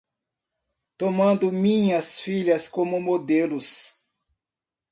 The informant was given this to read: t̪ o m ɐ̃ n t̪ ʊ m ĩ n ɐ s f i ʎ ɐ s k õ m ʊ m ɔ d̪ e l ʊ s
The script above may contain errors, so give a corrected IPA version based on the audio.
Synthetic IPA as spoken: t̪ o m ɐ̃ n d̪ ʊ m ĩ ɲ ɐ s f i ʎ ɐ s k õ m ʊ m o d̪ e l ʊ s